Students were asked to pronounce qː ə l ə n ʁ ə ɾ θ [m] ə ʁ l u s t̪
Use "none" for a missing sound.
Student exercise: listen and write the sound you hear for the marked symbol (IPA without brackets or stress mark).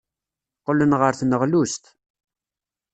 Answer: n